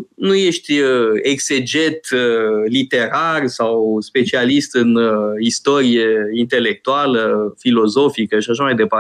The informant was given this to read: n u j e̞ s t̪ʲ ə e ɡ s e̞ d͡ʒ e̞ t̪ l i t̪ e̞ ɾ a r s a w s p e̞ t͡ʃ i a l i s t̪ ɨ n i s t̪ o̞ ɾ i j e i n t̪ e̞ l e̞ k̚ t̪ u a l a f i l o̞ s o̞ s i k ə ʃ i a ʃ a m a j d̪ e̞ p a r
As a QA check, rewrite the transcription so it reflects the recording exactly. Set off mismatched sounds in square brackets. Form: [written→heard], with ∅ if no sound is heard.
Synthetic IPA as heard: n u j e̞ [s→ʃ] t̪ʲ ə e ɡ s e̞ d͡ʒ e̞ t̪ l i t̪ e̞ ɾ a r s a w s p e̞ t͡ʃ i a l i s t̪ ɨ n i s t̪ o̞ ɾ i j e i n t̪ e̞ l e̞ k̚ t̪ u a l [a→ə] f i l o̞ [s→z] o̞ [s→f] i k ə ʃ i a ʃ a m a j d̪ e̞ p a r